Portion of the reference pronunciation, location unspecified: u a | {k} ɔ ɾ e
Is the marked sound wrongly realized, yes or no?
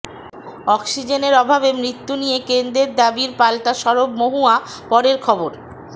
yes